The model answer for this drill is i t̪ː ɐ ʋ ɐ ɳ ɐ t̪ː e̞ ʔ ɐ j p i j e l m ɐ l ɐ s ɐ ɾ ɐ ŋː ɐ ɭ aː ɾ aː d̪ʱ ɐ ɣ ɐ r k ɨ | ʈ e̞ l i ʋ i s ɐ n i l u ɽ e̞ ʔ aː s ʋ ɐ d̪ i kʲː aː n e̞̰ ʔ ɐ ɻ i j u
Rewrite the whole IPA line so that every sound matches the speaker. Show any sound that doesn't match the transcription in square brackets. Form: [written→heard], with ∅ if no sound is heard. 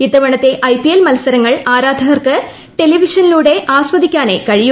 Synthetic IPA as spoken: i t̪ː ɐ ʋ ɐ ɳ ɐ t̪ː e̞ ʔ ɐ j p i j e l m ɐ l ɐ s ɐ ɾ ɐ ŋː ɐ ɭ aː ɾ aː d̪ʱ ɐ ɣ ɐ r k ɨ | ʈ e̞ l i ʋ i [s→ʂ] ɐ n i l [u→uː] ɽ e̞ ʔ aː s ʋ ɐ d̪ i kʲː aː n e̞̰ [ʔ→k] ɐ ɻ i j u